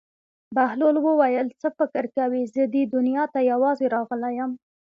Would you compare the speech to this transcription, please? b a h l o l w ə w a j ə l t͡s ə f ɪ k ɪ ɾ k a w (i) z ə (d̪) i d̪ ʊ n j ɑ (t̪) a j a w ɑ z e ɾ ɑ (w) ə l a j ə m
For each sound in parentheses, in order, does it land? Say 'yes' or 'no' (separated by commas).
yes, yes, yes, no